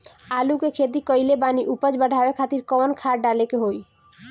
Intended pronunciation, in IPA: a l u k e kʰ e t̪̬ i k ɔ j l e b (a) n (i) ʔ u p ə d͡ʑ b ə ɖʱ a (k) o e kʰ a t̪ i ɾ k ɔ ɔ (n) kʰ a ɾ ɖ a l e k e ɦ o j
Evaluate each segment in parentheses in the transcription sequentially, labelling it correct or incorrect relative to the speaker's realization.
correct, correct, incorrect, correct

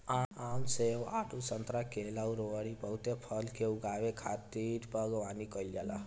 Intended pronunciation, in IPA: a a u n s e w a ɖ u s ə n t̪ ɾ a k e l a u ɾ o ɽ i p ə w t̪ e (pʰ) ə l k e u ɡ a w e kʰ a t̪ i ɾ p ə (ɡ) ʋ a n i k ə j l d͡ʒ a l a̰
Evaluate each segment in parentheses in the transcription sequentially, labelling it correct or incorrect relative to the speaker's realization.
correct, correct

